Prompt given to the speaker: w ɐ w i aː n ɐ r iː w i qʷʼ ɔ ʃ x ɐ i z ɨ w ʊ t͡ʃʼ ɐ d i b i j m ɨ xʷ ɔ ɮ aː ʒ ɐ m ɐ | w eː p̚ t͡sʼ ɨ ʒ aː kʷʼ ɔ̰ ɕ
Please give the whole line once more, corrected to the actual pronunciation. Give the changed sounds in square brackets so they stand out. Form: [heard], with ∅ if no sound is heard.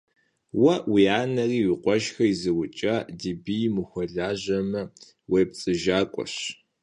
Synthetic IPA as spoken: w ɐ w i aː n ɐ r iː w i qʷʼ ɔ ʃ x ɐ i z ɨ w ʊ t͡ʃʼ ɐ d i b i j m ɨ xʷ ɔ ɮ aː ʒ ɐ m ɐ | w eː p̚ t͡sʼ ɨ ʒ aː kʷʼ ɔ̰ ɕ